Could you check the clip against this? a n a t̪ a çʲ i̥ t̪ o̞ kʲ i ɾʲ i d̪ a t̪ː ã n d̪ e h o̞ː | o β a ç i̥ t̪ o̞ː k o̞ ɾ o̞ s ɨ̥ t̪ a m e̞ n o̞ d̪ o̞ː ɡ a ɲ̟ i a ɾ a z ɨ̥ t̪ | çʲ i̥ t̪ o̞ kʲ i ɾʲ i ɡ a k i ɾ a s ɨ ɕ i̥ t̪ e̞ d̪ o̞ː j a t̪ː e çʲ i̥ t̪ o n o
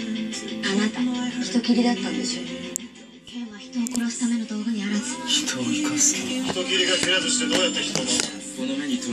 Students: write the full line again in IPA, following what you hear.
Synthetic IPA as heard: a n a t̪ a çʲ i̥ t̪ o̞ kʲ i ɾʲ i d̪ a t̪ː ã n d̪ e ɕ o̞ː | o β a ç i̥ t̪ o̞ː k o̞ ɾ o̞ s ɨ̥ t̪ a m e̞ n o̞ d̪ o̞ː ɡ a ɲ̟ i a ɾ a z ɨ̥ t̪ | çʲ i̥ t̪ o̞ kʲ i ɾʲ i ɡ a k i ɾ a z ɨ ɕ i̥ t̪ e̞ d̪ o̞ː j a t̪ː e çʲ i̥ t̪ o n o